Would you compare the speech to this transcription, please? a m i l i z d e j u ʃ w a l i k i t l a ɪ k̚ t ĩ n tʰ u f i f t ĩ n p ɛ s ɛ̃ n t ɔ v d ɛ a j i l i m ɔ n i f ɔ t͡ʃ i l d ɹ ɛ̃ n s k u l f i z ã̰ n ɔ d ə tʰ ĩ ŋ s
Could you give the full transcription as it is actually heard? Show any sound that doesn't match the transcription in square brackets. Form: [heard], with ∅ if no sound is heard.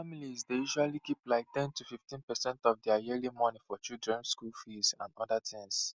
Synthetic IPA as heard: a m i l i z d e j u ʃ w a l i k i [p] l a ɪ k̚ t [ɛ̃] n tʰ u f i f t ĩ n p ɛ s ɛ̃ n t ɔ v d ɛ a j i l i m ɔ n i f ɔ t͡ʃ i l d ɹ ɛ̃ n s k u l f i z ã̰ n ɔ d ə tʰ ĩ ŋ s